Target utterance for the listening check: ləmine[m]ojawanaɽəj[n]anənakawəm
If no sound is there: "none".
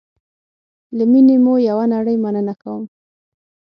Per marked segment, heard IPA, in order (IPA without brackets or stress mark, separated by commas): m, m